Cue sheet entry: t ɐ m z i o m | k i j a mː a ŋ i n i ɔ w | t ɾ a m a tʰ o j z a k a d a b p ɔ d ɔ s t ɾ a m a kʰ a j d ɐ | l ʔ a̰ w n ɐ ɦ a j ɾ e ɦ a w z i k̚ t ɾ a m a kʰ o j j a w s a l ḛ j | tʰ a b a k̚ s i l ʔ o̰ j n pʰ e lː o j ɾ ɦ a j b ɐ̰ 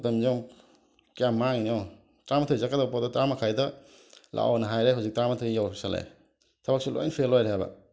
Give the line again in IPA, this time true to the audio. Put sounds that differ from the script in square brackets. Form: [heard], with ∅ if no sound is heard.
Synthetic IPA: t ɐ m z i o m | k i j a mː a ŋ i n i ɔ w | t ɾ a m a tʰ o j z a k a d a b p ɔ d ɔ [∅] t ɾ a m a kʰ a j d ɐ | l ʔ a̰ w n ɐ ɦ a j ɾ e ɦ a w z i k̚ t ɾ a m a [tʰ] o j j a w s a l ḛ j | tʰ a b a k̚ s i l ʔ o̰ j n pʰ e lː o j ɾ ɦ a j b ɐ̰